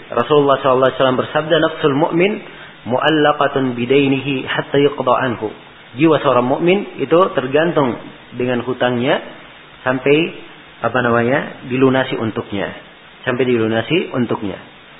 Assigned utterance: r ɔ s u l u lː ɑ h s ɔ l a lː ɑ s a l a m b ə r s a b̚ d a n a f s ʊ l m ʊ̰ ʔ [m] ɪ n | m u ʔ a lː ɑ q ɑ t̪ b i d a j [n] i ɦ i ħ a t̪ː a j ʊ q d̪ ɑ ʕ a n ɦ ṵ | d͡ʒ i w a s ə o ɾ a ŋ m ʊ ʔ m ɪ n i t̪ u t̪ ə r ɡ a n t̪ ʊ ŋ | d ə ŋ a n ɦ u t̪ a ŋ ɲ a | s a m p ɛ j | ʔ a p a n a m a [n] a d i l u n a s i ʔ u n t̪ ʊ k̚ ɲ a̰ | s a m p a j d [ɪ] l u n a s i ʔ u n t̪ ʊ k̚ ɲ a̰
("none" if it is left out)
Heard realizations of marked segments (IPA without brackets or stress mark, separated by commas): m, n, ɲ, i